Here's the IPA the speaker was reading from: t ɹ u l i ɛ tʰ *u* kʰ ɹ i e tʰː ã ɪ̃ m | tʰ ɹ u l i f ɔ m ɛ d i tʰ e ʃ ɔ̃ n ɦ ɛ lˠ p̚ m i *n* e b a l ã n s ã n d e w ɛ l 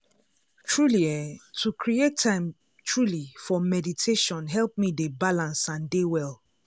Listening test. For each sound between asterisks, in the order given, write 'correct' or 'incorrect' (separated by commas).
correct, incorrect